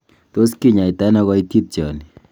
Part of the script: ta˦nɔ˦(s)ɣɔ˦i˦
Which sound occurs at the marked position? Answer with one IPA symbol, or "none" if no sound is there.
none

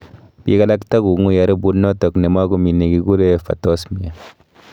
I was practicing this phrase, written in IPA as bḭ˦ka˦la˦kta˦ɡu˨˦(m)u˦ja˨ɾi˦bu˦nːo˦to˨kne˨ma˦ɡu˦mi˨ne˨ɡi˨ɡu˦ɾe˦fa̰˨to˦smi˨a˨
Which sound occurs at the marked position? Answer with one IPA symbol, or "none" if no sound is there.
ŋ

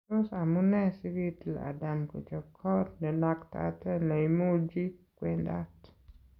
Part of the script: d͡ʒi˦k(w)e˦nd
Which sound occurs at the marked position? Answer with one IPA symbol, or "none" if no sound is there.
w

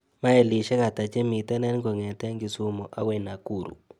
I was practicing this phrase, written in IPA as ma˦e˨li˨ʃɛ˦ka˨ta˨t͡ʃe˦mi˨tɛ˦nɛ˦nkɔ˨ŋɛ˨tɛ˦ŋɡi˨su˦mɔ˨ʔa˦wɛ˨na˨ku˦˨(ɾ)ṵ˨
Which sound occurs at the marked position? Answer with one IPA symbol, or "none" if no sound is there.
ɾ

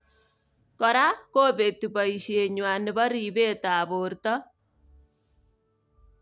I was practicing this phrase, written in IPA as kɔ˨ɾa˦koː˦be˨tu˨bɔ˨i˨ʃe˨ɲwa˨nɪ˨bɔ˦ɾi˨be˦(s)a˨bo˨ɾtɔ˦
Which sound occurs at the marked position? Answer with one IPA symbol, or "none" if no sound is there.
t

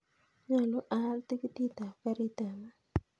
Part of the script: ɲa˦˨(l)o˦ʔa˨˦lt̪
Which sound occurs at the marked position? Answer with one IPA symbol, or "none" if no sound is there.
l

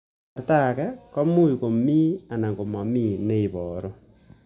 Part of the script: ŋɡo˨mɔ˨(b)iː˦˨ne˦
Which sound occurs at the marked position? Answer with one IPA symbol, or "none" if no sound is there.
m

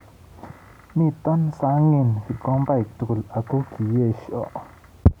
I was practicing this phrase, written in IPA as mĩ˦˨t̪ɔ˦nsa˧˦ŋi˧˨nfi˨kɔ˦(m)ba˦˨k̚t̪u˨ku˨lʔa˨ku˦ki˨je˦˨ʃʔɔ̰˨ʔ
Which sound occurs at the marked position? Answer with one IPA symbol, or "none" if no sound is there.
m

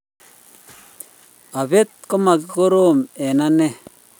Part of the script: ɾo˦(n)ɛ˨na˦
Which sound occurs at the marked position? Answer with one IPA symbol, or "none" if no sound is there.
m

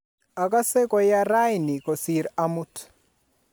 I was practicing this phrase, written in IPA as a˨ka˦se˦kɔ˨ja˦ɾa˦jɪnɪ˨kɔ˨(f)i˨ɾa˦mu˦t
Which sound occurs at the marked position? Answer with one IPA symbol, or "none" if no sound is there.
s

